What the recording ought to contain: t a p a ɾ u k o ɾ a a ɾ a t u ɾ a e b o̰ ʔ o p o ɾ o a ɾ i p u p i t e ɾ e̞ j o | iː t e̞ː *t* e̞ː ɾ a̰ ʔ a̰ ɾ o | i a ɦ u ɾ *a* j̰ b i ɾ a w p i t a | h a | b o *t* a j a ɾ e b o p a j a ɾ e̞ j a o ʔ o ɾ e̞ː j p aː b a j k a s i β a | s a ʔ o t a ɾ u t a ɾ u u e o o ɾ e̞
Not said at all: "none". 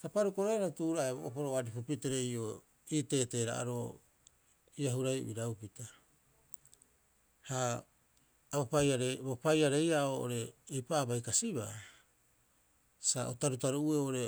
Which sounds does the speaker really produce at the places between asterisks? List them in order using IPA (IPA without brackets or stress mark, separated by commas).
t, a, p